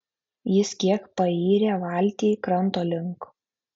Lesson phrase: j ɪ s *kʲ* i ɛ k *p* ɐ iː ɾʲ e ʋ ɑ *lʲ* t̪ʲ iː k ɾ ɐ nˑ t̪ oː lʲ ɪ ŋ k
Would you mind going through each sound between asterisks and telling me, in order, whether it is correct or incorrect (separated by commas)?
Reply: correct, correct, correct